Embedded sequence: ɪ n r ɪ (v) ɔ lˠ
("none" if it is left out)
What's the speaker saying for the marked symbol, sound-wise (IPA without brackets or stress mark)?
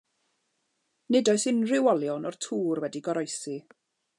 w